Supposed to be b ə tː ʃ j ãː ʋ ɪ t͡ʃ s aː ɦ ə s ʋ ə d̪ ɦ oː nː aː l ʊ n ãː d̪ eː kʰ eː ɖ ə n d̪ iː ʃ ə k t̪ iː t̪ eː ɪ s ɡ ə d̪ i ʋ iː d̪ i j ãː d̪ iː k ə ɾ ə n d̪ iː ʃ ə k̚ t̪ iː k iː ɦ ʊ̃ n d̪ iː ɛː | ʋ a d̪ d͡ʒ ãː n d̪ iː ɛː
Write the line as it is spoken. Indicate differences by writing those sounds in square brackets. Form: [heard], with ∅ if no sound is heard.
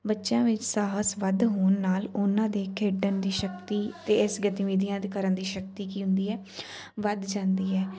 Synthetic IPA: b ə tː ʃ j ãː ʋ ɪ t͡ʃ s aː ɦ ə s ʋ ə d̪ ɦ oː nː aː l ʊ n ãː d̪ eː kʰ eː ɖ ə n d̪ iː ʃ ə k t̪ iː t̪ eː ɪ s ɡ ə [t̪] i ʋ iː d̪ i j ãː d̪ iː k ə ɾ ə n d̪ iː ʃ ə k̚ t̪ iː k iː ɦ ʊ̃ n d̪ iː ɛː | ʋ [ə] d̪ d͡ʒ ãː n d̪ iː ɛː